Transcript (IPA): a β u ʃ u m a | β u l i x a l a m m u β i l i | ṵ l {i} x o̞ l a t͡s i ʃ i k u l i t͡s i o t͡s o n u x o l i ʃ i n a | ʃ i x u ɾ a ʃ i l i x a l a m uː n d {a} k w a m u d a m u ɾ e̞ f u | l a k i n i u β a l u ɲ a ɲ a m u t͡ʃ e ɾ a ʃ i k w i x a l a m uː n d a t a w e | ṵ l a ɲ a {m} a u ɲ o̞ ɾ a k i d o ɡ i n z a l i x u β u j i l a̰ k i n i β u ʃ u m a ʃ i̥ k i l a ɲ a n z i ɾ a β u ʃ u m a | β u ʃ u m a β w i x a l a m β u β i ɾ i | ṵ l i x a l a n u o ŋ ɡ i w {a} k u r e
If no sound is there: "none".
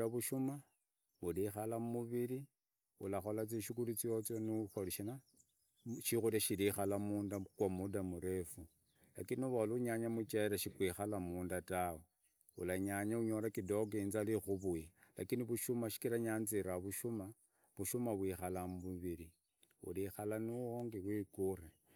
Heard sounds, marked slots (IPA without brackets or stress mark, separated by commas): a, a, ɲ, i